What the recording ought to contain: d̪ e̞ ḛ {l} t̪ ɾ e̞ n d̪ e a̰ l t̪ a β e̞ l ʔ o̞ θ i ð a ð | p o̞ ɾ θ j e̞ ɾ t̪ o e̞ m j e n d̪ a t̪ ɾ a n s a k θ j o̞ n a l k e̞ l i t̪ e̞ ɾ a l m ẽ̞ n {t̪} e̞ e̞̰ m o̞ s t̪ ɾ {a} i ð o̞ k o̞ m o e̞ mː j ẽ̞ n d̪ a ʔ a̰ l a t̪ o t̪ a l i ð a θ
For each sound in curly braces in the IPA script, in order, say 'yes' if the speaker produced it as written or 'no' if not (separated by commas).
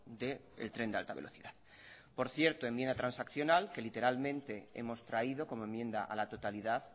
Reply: yes, yes, yes